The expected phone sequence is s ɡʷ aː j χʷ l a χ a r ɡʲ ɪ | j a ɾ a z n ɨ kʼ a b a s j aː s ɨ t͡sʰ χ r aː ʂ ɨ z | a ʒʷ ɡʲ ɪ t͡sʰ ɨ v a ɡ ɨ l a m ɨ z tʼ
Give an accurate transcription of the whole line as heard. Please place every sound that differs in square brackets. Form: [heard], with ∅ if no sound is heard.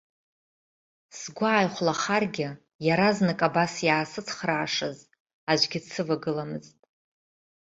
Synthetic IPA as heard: s ɡʷ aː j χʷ l a χ a r ɡʲ ɪ | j a ɾ a z n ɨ kʼ a b a s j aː s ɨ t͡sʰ χ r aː ʂ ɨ z | a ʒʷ ɡʲ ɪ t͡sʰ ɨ v a ɡ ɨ l a m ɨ z tʼ

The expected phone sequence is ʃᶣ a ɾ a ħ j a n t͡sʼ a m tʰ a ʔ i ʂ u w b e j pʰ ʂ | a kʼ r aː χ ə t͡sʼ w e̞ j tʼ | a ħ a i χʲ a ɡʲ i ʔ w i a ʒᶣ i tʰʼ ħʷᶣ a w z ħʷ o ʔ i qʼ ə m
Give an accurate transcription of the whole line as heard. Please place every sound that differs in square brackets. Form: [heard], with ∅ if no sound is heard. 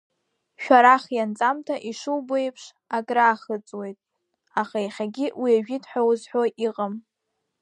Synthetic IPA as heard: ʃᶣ a ɾ a [χ] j a n t͡sʼ a m tʰ a ʔ i ʂ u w b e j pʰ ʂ | a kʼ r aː χ ə t͡sʼ w e̞ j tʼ | a [χ] a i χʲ a ɡʲ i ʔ w i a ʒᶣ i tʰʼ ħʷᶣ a w z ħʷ o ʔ i qʼ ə m

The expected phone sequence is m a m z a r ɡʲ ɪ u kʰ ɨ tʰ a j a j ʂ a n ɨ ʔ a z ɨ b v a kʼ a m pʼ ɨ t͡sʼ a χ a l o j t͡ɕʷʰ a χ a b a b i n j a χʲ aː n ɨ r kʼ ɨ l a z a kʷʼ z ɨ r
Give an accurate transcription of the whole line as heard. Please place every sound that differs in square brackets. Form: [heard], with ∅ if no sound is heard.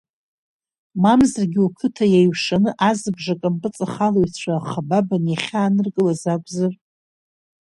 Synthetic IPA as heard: m a m z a r ɡʲ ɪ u kʰ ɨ tʰ a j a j ʂ a n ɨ ʔ a z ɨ b [ʐ] a kʼ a m pʼ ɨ t͡sʼ a χ a l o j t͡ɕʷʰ a χ a b a b [a] n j a χʲ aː n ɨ r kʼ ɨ l a z a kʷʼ z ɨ r

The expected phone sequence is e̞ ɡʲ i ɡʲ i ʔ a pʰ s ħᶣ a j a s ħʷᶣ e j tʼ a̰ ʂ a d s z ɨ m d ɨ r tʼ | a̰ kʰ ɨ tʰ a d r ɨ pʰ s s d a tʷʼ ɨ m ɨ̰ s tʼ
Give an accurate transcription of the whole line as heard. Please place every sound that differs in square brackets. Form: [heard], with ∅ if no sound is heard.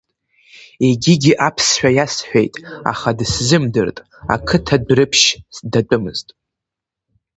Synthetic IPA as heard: e̞ ɡʲ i ɡʲ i ʔ a pʰ s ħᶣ a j a s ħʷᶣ e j tʼ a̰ [χ] a d s z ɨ m d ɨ r tʼ | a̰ kʰ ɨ tʰ a d r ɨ pʰ [ʃ] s d a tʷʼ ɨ m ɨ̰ [z] tʼ

